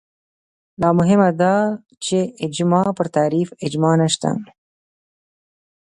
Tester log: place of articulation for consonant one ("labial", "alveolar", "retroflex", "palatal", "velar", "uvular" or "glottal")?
alveolar